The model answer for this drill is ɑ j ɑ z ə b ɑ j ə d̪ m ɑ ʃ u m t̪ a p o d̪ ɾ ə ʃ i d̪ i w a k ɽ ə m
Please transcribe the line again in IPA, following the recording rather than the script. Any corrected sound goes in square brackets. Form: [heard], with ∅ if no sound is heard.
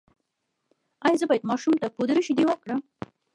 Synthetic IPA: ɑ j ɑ z ə b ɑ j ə d̪ m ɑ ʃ u m t̪ a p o d̪ ɾ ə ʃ i d̪ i w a k ɽ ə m